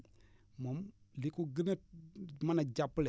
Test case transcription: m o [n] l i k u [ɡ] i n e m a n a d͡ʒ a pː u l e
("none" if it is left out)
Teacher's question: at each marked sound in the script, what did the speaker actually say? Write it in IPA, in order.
m, ɡ

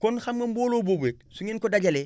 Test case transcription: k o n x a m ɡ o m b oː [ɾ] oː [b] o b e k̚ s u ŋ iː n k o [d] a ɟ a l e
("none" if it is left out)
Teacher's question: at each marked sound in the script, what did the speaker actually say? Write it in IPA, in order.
l, b, d

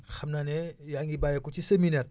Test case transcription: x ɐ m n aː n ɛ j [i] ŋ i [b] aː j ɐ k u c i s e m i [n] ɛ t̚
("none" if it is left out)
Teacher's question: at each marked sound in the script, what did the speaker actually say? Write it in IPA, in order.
a, b, n

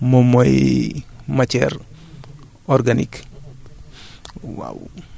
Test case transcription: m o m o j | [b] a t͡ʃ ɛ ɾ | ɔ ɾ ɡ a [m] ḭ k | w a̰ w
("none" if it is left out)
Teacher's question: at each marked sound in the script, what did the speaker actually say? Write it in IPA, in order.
m, n

